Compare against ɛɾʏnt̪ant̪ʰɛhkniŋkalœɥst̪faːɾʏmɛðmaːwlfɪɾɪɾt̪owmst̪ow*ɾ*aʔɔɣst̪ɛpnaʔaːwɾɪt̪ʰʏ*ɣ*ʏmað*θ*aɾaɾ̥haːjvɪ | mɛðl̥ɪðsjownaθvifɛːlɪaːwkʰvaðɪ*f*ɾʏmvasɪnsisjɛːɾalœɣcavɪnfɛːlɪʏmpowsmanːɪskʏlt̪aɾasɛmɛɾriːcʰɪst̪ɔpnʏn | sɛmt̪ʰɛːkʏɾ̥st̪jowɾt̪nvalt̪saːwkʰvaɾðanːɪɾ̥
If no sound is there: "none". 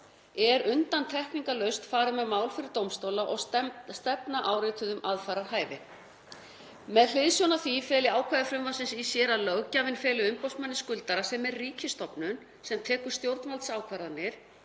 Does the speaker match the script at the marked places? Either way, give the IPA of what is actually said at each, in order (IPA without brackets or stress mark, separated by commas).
l, ð, f, f